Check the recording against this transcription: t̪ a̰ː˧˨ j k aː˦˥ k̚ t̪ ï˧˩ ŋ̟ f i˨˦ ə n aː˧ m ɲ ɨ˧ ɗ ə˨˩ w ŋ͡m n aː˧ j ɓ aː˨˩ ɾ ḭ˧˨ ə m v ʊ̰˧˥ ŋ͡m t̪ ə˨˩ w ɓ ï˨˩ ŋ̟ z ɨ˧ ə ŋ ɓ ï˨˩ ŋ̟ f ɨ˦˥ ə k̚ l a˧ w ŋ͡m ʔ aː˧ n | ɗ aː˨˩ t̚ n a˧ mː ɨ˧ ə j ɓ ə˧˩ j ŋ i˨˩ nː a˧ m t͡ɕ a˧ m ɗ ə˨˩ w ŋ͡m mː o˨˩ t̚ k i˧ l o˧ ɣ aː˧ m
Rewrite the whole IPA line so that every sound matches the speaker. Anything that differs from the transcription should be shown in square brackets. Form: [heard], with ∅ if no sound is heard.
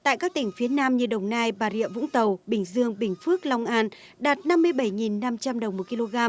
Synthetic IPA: t̪ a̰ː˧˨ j k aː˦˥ k̚ t̪ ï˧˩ ŋ̟ f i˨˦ ə n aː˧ m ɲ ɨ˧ ɗ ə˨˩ w ŋ͡m n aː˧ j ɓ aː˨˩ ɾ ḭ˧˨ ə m v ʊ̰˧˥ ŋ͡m t̪ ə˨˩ w ɓ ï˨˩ ŋ̟ z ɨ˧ ə ŋ ɓ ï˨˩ ŋ̟ f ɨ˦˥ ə k̚ l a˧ w ŋ͡m ʔ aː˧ n | ɗ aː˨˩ t̚ n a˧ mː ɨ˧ ə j ɓ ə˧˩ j ŋ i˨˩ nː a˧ m t͡ɕ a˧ m ɗ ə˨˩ w ŋ͡m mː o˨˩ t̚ k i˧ l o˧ ɣ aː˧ m